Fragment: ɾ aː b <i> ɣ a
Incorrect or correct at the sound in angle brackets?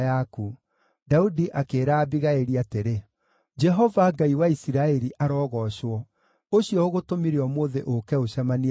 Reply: correct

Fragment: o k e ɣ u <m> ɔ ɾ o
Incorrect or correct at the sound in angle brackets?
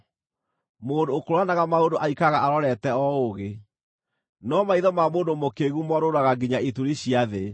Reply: correct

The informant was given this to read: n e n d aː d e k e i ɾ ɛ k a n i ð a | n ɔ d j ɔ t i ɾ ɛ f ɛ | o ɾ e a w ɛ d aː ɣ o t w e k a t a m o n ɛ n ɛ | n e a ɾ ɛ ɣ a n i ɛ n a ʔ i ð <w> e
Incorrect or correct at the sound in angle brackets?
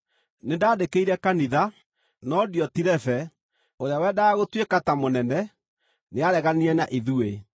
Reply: incorrect: u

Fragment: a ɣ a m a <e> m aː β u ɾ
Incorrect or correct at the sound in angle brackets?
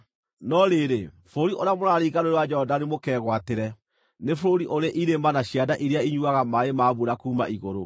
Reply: correct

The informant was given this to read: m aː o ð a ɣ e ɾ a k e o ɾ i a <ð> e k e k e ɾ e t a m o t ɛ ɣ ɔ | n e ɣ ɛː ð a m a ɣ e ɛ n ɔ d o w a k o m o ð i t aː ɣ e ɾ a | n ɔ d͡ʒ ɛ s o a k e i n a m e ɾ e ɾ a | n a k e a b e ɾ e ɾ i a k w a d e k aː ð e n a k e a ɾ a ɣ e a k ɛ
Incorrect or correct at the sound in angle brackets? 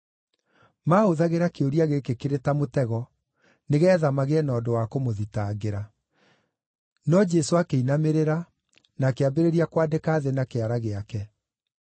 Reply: incorrect: ɣ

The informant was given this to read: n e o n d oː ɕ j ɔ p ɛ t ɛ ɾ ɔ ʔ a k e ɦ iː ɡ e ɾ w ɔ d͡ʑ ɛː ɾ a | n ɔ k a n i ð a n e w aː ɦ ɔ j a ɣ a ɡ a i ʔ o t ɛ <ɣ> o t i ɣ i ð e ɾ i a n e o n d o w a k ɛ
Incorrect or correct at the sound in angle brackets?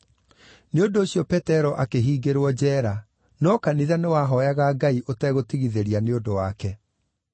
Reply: correct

